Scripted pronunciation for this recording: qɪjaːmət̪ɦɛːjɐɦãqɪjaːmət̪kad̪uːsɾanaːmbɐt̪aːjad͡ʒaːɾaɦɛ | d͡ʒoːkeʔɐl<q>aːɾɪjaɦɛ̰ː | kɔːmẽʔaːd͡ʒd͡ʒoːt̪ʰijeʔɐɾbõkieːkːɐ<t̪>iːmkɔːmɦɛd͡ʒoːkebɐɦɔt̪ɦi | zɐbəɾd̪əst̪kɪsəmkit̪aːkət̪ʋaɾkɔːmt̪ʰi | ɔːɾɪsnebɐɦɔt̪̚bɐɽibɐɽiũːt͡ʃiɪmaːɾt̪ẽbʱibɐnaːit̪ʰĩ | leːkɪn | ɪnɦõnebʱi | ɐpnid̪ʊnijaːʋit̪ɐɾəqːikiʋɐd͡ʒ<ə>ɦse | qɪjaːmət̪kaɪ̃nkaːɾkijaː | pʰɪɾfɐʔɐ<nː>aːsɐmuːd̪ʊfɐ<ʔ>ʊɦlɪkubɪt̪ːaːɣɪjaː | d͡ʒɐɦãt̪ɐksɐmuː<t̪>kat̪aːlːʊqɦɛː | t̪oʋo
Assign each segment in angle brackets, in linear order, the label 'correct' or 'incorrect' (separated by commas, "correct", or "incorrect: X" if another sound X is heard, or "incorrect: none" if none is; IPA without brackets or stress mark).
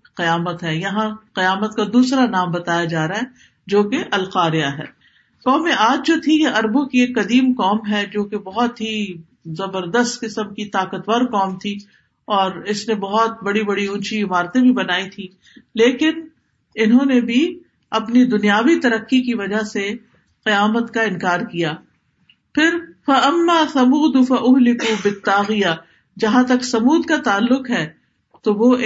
correct, incorrect: d̪, incorrect: a, incorrect: mː, correct, incorrect: d̪